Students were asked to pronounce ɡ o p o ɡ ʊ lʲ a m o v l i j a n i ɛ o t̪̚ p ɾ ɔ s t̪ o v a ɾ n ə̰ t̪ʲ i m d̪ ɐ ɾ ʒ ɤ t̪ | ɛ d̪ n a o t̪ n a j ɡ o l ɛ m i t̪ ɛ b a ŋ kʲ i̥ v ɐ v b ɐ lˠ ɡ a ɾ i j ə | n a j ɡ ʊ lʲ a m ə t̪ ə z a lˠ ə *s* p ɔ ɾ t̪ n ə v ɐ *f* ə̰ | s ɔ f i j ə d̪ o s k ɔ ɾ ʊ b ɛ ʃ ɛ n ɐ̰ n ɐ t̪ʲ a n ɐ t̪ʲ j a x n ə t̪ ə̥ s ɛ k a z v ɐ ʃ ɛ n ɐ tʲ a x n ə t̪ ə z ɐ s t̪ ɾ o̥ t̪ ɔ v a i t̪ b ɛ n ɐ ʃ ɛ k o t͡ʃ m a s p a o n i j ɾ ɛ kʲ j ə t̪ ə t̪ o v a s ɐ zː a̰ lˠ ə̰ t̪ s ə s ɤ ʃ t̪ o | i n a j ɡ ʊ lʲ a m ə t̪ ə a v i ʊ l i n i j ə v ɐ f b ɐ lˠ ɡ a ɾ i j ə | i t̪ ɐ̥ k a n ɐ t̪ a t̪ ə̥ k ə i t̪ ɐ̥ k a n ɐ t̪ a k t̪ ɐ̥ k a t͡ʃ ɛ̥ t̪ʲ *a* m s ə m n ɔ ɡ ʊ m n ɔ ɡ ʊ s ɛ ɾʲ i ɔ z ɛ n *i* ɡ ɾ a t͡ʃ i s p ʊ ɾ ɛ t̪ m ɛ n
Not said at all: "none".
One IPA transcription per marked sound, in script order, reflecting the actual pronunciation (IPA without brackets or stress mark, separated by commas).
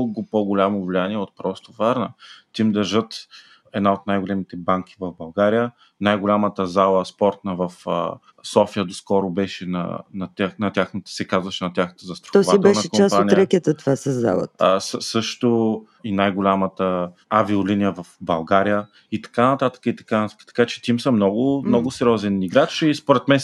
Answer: s, f, i, i